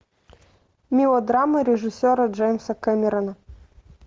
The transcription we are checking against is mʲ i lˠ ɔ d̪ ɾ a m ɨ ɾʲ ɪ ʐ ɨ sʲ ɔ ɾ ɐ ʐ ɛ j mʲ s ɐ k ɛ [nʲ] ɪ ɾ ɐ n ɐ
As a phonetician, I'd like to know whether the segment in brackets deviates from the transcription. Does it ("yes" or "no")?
yes